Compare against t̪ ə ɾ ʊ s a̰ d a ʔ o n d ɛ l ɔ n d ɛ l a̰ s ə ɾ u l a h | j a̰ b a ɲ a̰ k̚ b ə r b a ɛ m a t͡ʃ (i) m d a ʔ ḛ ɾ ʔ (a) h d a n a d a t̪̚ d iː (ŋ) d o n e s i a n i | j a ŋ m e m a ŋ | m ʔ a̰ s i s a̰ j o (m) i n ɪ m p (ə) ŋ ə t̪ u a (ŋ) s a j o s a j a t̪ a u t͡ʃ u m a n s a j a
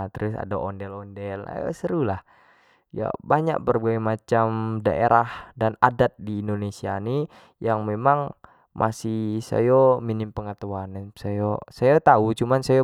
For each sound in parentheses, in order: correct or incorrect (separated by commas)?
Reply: incorrect, correct, incorrect, correct, correct, incorrect